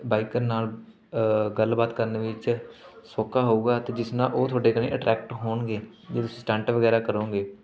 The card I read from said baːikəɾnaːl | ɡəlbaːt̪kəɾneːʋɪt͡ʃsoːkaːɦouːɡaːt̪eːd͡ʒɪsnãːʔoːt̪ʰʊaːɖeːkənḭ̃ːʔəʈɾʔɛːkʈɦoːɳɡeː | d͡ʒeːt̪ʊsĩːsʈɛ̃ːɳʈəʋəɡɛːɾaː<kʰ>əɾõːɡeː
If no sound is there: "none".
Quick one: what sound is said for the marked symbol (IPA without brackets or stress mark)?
k